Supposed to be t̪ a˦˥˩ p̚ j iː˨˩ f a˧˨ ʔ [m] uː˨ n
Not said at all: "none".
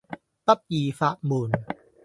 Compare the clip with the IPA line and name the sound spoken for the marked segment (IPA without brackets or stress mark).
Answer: m